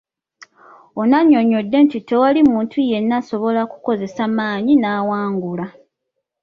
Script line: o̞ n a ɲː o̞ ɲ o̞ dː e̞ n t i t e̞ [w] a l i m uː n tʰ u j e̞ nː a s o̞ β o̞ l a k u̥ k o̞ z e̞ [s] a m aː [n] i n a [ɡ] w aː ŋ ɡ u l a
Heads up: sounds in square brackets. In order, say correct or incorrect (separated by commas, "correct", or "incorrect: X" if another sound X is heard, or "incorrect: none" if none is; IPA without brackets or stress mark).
correct, correct, incorrect: ɲ, incorrect: none